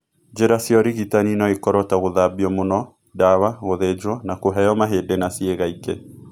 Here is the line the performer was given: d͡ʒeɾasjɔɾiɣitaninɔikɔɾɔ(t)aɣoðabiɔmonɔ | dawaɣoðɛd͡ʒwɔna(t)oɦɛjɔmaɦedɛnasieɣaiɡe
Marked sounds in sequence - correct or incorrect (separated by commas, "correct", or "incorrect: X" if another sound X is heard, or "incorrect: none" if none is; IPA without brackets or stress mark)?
correct, incorrect: k